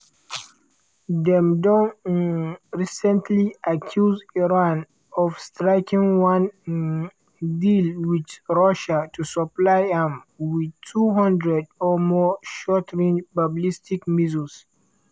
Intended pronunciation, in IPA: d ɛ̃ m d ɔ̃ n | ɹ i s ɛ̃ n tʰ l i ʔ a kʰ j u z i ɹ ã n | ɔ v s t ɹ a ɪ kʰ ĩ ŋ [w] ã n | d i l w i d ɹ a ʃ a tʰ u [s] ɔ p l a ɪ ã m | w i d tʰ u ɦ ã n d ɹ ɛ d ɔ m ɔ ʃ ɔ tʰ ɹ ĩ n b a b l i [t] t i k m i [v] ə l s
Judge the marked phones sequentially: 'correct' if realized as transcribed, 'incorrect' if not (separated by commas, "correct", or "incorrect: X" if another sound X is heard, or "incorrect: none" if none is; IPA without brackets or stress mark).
correct, correct, incorrect: s, incorrect: z